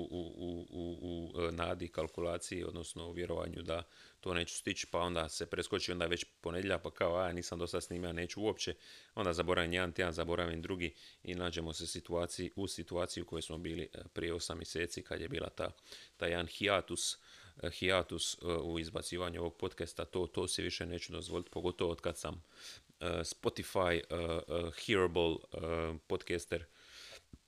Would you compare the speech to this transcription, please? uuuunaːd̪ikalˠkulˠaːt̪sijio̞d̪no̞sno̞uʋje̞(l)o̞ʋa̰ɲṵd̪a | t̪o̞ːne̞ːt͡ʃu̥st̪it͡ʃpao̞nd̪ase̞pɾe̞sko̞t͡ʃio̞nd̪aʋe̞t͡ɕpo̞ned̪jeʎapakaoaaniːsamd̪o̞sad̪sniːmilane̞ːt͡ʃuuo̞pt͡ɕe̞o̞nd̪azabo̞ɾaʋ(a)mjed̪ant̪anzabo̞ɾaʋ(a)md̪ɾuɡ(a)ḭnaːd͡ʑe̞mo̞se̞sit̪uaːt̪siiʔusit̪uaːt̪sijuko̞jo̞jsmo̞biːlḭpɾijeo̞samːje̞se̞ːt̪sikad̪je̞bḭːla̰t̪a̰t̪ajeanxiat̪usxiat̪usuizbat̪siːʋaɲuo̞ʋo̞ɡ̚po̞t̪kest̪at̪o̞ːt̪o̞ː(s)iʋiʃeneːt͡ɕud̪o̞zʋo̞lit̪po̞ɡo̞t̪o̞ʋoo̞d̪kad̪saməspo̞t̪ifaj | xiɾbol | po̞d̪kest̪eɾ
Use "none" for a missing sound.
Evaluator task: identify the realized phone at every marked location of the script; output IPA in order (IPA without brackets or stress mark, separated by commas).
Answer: ɾ, i, i, i, s